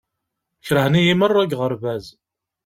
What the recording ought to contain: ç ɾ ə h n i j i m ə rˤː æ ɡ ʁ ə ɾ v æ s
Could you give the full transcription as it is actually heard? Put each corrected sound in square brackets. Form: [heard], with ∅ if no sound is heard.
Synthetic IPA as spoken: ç ɾ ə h n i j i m ə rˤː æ ɡ ʁ ə ɾ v æ [z]

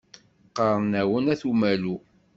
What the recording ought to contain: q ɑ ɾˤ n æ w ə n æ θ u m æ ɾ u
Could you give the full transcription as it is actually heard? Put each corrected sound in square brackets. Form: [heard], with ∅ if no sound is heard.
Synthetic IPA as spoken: q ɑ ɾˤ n æ w ə n æ θ u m æ [l] u

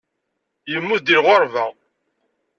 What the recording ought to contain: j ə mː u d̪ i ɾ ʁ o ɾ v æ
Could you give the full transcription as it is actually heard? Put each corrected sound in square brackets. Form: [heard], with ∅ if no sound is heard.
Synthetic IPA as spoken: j ə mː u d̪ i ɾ ʁ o ɾ v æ

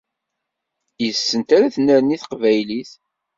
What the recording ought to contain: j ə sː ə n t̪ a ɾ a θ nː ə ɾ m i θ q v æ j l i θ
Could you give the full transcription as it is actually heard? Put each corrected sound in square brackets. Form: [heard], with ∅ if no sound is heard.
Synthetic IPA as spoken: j ə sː ə n t̪ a ɾ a θ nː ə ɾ [n] i θ q v æ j l i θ

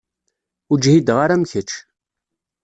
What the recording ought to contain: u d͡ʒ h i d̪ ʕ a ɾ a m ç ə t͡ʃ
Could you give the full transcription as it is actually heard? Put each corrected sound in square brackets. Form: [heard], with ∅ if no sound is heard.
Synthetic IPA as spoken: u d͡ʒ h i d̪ [ʁ] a ɾ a m ç ə t͡ʃ

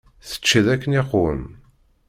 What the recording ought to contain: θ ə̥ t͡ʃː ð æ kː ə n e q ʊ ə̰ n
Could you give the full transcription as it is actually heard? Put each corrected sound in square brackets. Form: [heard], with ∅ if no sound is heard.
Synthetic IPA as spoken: θ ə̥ t͡ʃː ð æ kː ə n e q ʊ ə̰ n

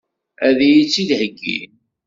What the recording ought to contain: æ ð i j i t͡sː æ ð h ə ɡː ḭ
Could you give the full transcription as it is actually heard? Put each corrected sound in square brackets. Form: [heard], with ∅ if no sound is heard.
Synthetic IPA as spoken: æ ð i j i t͡sː [i] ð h ə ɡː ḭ

